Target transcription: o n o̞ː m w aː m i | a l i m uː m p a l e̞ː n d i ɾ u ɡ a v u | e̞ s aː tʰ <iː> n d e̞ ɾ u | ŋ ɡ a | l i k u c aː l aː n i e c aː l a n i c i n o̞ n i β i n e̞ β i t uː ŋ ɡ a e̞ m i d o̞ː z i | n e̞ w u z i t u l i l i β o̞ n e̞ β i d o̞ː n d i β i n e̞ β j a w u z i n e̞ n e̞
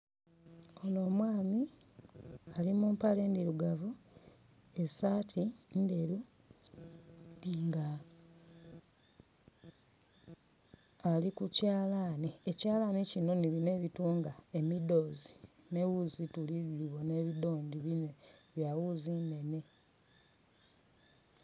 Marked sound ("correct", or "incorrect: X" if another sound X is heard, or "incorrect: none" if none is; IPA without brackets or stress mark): incorrect: i